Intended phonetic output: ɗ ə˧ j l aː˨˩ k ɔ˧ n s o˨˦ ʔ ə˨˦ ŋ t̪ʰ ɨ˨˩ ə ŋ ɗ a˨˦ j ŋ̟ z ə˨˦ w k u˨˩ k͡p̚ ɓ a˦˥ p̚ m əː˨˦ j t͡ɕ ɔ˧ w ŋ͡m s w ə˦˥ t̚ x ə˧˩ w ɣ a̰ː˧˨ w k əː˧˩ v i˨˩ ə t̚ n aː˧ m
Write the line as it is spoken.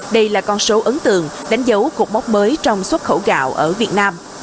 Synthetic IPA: ɗ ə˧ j l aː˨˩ k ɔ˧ n s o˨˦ ʔ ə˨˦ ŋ t̪ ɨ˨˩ ə ŋ ɗ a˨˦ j ŋ̟ z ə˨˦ w k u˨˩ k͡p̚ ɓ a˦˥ k͡p̚ m əː˨˦ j t͡ɕ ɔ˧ w ŋ͡m s w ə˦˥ t̚ x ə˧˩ w ɣ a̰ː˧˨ w ʔ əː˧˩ v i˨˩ ə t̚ n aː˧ m